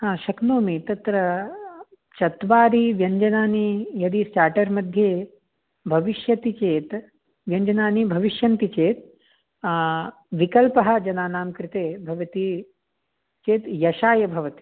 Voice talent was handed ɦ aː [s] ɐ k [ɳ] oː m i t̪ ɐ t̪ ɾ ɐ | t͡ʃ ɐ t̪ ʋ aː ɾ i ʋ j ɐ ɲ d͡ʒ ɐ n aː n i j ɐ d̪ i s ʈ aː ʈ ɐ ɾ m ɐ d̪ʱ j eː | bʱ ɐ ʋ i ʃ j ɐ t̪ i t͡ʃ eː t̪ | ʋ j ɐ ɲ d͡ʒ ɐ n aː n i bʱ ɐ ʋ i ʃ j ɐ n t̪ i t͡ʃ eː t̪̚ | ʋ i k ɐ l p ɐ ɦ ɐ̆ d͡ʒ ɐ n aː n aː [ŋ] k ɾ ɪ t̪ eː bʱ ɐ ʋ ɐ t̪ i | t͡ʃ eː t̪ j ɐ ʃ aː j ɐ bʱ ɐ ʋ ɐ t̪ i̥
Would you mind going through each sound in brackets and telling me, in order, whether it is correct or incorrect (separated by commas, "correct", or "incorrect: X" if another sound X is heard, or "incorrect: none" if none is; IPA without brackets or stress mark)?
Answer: incorrect: ʃ, incorrect: n, incorrect: m